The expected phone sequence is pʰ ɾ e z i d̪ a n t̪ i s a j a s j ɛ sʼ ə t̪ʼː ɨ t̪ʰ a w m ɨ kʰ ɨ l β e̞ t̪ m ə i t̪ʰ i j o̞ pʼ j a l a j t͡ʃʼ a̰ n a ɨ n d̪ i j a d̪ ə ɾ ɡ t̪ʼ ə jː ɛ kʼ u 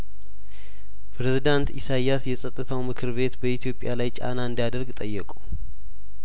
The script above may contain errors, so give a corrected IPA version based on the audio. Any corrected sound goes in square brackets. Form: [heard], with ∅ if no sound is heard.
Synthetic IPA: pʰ ɾ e z i d̪ a n t̪ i s a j a s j ɛ sʼ ə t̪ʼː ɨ t̪ʰ a w m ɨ kʰ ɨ [ɾ] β e̞ t̪ [b] ə i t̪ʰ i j o̞ pʼ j a l a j t͡ʃʼ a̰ n a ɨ n d̪ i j a d̪ ə ɾ ɡ t̪ʼ ə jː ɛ kʼ u